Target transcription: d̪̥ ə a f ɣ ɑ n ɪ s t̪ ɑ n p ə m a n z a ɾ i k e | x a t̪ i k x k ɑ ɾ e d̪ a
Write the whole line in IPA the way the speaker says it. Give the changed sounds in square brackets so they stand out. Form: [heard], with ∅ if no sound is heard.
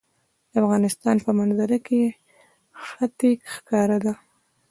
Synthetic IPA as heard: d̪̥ ə a f ɣ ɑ n ɪ s t̪ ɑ n p ə m a n z a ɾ [a] k e | x a t̪ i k x k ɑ ɾ [a] d̪ a